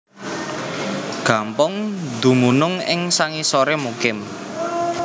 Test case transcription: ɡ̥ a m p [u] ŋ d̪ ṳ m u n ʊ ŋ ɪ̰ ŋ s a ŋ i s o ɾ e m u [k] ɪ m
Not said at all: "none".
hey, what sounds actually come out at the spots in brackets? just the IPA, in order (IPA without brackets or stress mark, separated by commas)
ʊ, k